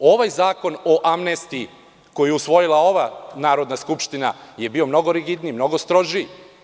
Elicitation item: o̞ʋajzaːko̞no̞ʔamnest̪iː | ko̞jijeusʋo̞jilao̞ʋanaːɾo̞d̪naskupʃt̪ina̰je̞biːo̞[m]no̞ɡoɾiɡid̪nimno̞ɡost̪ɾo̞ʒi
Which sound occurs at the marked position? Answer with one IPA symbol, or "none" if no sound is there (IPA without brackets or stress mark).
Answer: m